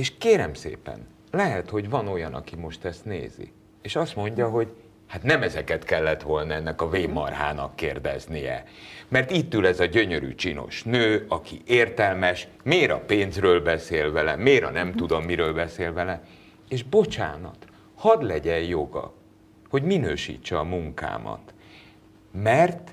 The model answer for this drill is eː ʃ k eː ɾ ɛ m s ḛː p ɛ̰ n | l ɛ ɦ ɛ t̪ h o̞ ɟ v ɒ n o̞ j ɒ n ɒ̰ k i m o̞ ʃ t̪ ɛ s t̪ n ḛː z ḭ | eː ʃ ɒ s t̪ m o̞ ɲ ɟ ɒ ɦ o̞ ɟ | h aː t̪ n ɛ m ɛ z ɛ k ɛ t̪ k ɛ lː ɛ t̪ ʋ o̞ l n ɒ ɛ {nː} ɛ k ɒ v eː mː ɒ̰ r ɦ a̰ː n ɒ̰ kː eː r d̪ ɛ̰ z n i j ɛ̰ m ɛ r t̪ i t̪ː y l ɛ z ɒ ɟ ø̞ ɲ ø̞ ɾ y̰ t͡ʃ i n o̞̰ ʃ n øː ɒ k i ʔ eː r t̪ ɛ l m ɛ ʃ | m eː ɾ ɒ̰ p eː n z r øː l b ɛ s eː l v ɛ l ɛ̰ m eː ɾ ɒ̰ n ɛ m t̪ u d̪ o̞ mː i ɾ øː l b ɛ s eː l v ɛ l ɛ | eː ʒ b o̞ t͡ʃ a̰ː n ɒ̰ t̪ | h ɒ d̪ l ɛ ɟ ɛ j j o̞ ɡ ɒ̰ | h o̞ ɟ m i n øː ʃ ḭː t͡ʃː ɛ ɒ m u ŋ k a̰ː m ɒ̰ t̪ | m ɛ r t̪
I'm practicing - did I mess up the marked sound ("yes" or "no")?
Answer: no